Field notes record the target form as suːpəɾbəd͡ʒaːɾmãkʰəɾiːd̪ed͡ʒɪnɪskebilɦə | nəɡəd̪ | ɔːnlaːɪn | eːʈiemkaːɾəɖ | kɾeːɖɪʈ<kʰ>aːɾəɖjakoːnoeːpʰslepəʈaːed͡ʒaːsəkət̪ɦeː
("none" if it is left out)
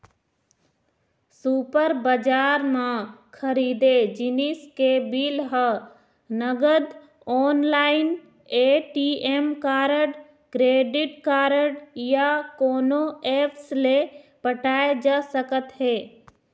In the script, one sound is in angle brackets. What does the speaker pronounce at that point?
k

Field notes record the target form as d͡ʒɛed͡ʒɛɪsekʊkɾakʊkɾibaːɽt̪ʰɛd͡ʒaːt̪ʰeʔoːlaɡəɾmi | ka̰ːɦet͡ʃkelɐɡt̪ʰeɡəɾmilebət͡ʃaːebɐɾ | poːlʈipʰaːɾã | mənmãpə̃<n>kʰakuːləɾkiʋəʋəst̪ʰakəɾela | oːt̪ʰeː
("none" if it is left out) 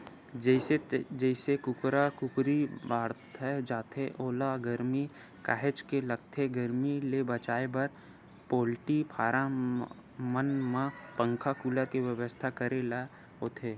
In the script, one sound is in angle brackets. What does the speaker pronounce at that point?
ŋ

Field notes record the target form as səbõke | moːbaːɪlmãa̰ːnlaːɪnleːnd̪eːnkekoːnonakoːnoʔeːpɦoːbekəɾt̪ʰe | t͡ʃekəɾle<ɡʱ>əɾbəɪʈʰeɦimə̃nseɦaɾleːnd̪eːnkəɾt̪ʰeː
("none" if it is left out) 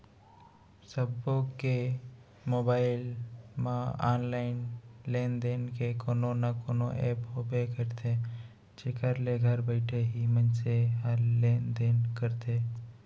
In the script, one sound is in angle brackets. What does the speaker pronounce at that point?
ɡʱ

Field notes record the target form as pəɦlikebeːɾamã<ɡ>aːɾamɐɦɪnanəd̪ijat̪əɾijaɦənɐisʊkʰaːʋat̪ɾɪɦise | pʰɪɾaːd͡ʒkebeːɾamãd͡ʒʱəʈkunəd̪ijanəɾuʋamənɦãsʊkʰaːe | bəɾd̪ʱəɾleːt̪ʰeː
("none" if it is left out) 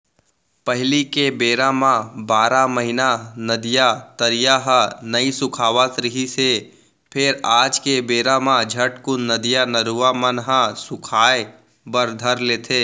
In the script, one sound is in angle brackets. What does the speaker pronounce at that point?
b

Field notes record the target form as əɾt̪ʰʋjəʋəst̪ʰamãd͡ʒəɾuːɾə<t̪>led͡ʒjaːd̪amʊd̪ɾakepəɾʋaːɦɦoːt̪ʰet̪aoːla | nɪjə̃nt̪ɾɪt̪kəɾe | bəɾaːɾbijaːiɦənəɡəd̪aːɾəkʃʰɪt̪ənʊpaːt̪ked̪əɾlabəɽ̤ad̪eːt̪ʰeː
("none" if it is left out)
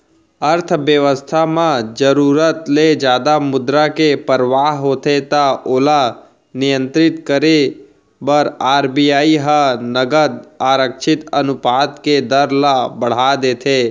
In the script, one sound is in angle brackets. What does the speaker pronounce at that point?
t̪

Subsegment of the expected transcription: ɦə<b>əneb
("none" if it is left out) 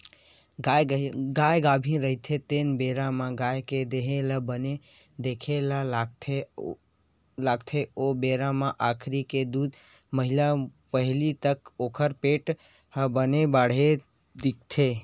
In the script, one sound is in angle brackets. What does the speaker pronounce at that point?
b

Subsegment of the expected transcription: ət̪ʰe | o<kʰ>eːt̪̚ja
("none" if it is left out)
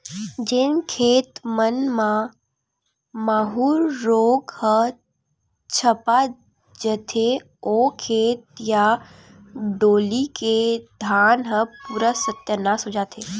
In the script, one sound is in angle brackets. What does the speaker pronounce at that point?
kʰ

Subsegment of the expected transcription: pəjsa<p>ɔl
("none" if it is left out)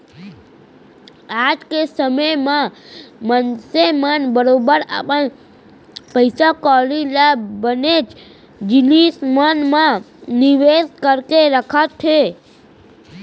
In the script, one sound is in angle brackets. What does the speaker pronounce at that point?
k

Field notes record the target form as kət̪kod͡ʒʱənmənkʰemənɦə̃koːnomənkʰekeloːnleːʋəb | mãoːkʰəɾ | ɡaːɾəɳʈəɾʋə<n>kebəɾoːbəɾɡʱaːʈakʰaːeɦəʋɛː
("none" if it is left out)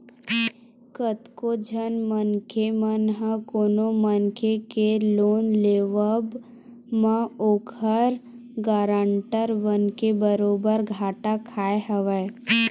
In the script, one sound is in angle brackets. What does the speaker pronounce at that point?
n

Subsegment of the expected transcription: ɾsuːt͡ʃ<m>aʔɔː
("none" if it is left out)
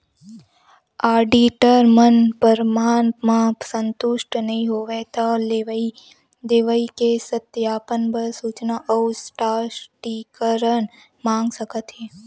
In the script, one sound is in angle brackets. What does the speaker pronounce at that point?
n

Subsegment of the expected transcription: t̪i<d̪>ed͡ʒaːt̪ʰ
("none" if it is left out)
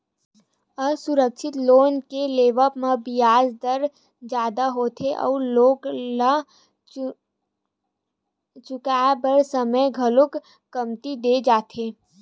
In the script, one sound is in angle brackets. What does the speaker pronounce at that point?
d̪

